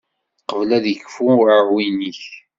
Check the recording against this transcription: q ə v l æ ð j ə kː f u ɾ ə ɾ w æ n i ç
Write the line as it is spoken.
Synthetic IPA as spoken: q ə v l æ ð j ə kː f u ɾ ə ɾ w i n i ç